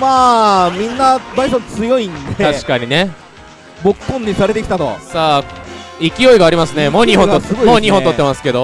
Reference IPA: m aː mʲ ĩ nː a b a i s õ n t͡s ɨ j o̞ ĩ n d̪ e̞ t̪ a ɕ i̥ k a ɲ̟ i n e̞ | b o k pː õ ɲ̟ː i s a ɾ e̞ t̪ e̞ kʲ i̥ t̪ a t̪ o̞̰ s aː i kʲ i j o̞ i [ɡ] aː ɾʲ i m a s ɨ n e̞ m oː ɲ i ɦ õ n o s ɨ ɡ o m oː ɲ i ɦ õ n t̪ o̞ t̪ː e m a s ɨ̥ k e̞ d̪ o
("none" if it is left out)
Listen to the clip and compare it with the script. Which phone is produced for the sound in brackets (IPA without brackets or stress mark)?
ɡ